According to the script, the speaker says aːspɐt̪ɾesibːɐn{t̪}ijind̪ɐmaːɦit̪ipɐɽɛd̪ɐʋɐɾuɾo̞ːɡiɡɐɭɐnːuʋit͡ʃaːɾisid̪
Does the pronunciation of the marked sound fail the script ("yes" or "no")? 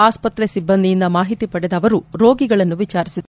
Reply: yes